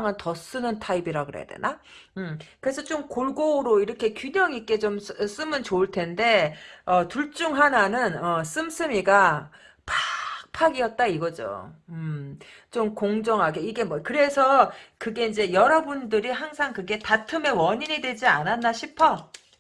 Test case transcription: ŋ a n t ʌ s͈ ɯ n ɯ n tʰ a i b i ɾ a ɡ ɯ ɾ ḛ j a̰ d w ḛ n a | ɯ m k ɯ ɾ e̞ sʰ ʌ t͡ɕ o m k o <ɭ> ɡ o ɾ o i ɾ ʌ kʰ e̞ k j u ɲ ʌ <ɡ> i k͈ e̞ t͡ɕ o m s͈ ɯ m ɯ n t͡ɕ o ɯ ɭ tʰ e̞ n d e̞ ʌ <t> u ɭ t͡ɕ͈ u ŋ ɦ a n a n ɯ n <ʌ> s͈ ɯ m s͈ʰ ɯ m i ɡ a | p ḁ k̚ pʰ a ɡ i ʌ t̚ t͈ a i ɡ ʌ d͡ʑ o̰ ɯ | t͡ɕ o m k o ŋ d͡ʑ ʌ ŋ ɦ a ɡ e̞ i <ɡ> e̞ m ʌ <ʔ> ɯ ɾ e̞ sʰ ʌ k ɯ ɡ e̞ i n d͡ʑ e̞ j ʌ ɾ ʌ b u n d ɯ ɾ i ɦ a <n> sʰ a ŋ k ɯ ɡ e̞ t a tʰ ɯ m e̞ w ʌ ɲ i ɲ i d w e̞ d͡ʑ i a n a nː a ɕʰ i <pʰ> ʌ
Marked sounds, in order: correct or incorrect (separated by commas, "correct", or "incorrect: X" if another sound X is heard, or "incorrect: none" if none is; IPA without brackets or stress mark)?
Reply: correct, incorrect: ŋ, correct, correct, correct, incorrect: k, incorrect: ŋ, correct